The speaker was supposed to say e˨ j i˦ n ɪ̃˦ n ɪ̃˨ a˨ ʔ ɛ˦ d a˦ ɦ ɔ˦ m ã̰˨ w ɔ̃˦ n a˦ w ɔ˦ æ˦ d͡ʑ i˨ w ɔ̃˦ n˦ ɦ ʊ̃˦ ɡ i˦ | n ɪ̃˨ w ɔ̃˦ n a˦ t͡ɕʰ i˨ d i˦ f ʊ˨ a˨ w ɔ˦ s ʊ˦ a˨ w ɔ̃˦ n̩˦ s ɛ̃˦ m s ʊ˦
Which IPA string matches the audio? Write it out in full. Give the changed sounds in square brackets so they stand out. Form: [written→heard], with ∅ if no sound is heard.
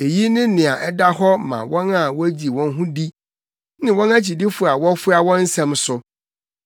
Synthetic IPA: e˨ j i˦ n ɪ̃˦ n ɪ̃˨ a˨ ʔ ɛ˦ d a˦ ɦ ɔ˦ m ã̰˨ w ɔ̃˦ n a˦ w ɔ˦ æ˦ d͡ʑ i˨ w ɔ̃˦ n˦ ɦ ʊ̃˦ [ɡ→d] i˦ | n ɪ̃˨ w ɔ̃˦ n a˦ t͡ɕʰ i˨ d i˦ f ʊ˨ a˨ w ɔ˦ [s→f] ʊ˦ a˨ w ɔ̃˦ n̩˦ s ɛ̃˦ m s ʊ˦